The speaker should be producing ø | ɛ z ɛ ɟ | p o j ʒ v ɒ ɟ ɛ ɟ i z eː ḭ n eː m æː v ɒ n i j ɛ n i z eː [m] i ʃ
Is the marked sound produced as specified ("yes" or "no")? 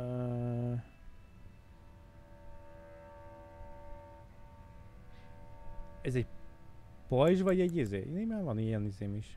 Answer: yes